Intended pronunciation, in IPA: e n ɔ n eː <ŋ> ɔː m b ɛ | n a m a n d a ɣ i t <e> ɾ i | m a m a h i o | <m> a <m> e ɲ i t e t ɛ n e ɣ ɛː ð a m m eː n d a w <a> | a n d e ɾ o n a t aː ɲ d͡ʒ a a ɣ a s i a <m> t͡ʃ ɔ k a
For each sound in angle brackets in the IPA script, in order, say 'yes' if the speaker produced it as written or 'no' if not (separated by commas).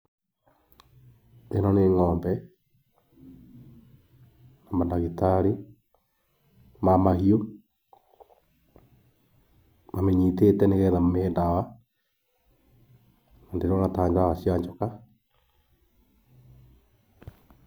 yes, no, yes, yes, yes, no